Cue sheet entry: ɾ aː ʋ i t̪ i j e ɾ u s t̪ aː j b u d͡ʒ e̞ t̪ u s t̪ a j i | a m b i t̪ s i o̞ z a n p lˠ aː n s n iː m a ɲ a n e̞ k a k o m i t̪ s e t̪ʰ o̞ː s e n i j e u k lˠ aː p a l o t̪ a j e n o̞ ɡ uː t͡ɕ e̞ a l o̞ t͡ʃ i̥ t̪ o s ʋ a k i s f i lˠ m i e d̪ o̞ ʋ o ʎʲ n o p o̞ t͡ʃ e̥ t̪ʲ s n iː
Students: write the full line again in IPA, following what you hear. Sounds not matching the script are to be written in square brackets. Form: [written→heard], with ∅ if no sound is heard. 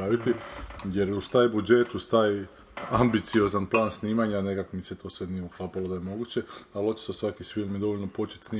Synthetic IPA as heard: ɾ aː ʋ i t̪ i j e ɾ u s t̪ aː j b u d͡ʒ e̞ t̪ u s t̪ a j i | a m b i t̪ s i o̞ z a n p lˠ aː n s n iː m a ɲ a n e̞ k a k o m i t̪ s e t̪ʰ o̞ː s e n i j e u k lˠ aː p a l o [t̪→d̪] a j e [n→m] o̞ ɡ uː t͡ɕ e̞ a l o̞ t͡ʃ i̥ t̪ o s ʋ a k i s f i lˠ m [i→j] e d̪ o̞ ʋ o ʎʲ n o p o̞ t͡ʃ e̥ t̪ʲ s n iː